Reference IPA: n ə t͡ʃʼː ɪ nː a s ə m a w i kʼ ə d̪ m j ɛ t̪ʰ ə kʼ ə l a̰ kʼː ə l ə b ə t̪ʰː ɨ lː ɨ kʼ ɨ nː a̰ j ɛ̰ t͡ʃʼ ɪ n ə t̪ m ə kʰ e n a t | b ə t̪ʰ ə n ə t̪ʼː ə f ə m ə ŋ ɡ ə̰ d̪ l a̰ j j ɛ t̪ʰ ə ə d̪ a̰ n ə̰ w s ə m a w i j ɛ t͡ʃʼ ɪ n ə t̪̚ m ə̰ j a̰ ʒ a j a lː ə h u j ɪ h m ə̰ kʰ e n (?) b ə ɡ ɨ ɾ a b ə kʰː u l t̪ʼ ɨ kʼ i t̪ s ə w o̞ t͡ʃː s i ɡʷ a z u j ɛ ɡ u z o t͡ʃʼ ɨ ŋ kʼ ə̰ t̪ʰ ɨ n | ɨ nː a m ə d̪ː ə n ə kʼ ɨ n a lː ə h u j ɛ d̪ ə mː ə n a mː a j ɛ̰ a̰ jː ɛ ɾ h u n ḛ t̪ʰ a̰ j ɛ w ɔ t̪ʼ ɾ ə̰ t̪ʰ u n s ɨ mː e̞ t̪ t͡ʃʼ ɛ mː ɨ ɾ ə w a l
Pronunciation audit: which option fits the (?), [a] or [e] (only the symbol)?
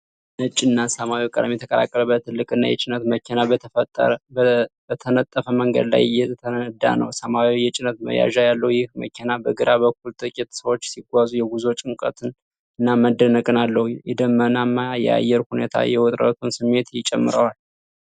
a